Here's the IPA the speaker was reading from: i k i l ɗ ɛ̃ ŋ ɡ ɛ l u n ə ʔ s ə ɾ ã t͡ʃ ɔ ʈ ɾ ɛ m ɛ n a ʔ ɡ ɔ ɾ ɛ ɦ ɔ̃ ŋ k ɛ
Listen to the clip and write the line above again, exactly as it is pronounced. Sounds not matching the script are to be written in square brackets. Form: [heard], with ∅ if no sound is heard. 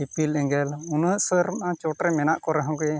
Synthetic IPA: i [p] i l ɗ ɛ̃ ŋ ɡ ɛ l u n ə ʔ s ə ɾ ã t͡ʃ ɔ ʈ ɾ ɛ m ɛ n a ʔ [k] ɔ ɾ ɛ ɦ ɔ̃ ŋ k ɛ